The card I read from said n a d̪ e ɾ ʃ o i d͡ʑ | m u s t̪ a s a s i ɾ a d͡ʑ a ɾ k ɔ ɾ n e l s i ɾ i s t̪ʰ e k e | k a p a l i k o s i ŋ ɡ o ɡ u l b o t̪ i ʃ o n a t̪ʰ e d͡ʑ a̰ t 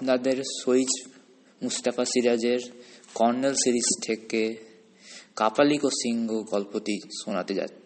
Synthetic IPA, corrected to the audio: n a d̪ e ɾ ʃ o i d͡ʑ | m u s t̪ a f a s i ɾ a d͡ʑ e ɾ k ɔ ɾ n e l s i ɾ i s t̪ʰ e k e | k a p a l i k o s i ŋ ɡ o ɡ ɔ l p o t̪ i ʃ o n a t̪ e d͡ʑ a̰ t